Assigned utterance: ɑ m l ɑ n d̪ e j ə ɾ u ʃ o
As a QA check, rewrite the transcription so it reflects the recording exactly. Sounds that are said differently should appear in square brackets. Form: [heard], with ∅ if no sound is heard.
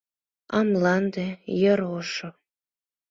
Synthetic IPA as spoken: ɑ m l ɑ n d̪ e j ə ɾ [o] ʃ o